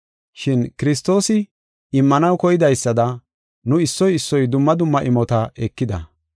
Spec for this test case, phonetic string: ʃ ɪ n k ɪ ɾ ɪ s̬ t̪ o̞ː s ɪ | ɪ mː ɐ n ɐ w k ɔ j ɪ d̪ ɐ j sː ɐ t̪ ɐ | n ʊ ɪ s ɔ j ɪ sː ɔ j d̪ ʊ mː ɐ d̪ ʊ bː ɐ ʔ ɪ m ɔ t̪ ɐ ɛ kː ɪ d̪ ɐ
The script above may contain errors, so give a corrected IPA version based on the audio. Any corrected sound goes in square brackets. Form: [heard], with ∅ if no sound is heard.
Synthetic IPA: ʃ ɪ n k ɪ ɾ ɪ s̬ t̪ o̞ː s ɪ | ɪ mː ɐ n ɐ w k ɔ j ɪ d̪ ɐ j sː ɐ [d̪] ɐ | n ʊ ɪ [sː] ɔ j ɪ sː ɔ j d̪ ʊ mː ɐ d̪ ʊ [mː] ɐ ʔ ɪ m ɔ t̪ ɐ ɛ kː ɪ d̪ ɐ

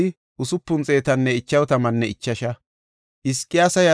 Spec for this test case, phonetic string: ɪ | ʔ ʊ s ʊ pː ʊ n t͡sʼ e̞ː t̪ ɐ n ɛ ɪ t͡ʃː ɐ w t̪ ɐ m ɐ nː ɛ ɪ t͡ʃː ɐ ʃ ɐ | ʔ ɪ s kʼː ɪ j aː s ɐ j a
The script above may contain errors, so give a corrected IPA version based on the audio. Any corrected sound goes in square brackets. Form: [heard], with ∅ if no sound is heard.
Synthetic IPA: ɪ | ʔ ʊ s ʊ pː ʊ n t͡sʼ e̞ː t̪ ɐ [nː] ɛ ɪ t͡ʃː ɐ w t̪ ɐ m ɐ nː ɛ ɪ t͡ʃː ɐ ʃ ɐ | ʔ ɪ s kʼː ɪ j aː s ɐ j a

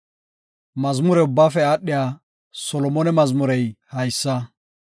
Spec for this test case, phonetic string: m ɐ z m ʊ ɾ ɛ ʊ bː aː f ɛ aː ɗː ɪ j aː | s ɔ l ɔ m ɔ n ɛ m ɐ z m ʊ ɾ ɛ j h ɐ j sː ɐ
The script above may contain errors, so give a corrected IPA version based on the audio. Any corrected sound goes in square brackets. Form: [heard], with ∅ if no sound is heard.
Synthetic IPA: m ɐ z m ʊ ɾ ɛ ʊ bː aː f ɛ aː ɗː ɪ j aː | s ɔ l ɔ m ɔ n ɛ m ɐ z m ʊ ɾ ɛ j h ɐ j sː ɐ

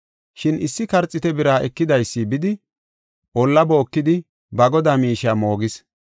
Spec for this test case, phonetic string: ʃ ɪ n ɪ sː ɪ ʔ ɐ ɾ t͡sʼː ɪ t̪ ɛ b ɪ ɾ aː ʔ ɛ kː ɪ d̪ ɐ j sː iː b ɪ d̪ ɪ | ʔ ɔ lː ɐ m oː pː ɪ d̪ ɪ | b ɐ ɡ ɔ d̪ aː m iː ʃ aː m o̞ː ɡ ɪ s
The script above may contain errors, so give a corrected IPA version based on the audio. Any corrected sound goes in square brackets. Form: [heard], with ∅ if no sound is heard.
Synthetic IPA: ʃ ɪ n ɪ sː ɪ [k] ɐ ɾ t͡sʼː ɪ t̪ ɛ b ɪ ɾ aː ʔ ɛ kː ɪ d̪ ɐ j sː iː b ɪ d̪ ɪ | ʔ ɔ lː ɐ [b] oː [kː] ɪ d̪ ɪ | b ɐ ɡ ɔ d̪ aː m iː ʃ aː m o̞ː ɡ ɪ s

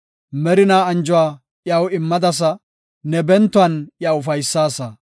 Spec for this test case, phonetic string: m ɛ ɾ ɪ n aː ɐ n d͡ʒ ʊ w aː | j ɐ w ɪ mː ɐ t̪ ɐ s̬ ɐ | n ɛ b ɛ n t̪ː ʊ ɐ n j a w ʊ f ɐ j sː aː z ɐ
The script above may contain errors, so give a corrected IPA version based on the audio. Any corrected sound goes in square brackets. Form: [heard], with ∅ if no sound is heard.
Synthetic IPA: m ɛ ɾ ɪ n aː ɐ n d͡ʒ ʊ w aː | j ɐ w ɪ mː ɐ [d̪] ɐ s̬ ɐ | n ɛ b ɛ n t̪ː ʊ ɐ n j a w ʊ f ɐ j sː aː [s] ɐ

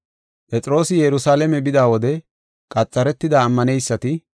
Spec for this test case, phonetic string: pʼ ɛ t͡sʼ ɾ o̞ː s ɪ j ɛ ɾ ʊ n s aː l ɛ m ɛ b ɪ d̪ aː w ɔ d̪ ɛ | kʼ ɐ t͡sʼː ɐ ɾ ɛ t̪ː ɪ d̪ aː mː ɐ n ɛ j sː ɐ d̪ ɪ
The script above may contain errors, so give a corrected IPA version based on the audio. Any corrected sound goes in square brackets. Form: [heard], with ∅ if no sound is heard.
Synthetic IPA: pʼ ɛ t͡sʼ ɾ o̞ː s ɪ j ɛ ɾ ʊ [∅] s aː l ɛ m ɛ b ɪ d̪ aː w ɔ d̪ ɛ | kʼ ɐ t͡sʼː ɐ ɾ ɛ t̪ː ɪ d̪ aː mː ɐ n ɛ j sː ɐ [t̪] ɪ

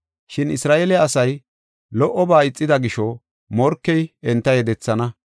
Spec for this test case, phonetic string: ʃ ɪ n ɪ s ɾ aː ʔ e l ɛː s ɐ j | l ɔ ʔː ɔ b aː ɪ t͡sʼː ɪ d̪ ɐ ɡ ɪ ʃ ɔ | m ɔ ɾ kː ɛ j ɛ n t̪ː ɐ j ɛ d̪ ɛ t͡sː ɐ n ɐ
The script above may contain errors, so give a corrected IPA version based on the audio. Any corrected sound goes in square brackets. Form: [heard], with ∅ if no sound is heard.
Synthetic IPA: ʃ ɪ n ɪ s ɾ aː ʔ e l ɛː s ɐ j | l ɔ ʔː ɔ b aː ɪ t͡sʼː ɪ d̪ ɐ ɡ ɪ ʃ ɔ | m ɔ ɾ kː ɛ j ɛ n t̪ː ɐ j ɛ d̪ ɛ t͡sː ɐ n ɐ

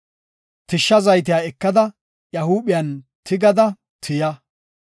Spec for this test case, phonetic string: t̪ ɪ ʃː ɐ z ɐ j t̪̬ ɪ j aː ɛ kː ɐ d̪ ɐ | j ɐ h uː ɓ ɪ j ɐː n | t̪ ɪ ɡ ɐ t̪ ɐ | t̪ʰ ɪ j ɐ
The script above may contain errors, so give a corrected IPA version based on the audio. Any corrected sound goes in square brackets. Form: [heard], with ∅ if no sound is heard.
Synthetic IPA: t̪ ɪ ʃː ɐ z ɐ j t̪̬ ɪ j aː ɛ kː ɐ d̪ ɐ | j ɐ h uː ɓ ɪ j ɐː n | t̪ ɪ ɡ ɐ [d̪] ɐ | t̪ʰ ɪ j ɐ

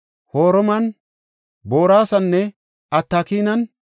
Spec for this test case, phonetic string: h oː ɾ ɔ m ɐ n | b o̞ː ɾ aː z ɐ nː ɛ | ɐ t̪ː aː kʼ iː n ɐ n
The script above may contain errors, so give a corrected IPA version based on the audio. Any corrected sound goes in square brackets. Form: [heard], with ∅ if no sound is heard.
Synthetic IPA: h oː ɾ ɔ m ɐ n | b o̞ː ɾ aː [s] ɐ nː ɛ | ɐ t̪ː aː [k] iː n ɐ n

